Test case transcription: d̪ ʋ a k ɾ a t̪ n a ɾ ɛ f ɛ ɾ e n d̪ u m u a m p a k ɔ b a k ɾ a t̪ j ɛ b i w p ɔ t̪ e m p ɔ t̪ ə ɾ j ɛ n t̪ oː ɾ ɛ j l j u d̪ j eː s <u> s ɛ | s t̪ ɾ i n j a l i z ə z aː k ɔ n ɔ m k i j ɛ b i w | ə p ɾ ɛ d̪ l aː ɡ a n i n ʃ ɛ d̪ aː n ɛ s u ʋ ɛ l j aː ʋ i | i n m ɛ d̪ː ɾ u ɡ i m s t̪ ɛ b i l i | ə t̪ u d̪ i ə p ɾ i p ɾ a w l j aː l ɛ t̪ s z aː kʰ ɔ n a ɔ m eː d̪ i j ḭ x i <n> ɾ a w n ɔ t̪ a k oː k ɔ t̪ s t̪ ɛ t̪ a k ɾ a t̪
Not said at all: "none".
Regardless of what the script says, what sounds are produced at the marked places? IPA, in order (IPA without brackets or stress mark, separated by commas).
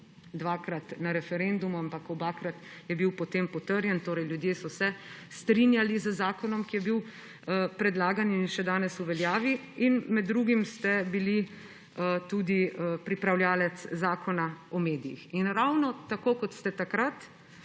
ɔ, n